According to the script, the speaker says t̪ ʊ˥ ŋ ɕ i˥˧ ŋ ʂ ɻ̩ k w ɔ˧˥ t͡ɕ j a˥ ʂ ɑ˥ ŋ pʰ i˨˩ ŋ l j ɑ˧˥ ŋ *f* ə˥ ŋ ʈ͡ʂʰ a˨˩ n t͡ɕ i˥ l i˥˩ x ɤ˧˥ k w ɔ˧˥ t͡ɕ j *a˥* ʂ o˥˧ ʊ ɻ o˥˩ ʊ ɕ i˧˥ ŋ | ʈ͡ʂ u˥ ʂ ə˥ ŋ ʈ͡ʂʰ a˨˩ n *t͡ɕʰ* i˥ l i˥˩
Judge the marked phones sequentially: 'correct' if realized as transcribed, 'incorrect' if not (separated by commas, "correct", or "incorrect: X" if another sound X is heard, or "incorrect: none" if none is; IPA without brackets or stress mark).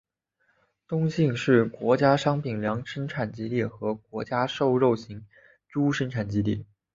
incorrect: ʂ, correct, incorrect: t͡ɕ